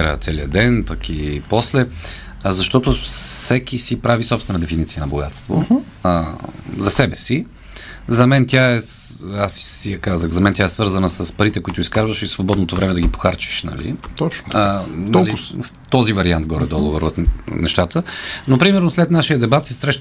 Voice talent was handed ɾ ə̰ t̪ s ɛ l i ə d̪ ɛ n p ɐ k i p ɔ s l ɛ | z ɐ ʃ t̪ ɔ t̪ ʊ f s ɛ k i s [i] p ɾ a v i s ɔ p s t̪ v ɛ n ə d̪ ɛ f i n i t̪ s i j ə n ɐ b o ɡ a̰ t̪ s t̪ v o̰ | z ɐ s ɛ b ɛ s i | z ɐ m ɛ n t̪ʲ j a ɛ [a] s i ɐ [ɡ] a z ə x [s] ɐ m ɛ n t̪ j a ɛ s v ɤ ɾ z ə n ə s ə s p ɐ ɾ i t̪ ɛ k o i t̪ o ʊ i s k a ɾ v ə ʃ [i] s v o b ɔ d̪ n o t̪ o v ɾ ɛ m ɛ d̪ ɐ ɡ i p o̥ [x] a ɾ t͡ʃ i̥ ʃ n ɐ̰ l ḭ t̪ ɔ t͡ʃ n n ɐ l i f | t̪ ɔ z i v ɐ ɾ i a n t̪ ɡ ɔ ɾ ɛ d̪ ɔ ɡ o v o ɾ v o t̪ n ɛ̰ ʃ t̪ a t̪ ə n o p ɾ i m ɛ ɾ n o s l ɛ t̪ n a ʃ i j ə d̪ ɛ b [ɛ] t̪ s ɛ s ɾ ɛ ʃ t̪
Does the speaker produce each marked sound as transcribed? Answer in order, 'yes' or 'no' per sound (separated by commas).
yes, yes, no, no, yes, yes, no